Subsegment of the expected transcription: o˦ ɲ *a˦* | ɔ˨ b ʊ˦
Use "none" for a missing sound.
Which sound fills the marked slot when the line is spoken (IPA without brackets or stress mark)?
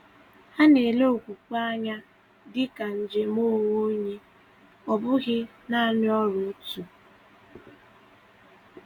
e˦